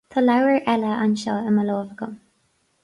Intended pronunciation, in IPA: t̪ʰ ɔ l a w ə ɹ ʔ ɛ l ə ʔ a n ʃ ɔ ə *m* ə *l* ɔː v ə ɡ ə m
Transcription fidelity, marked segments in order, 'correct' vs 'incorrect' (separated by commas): correct, correct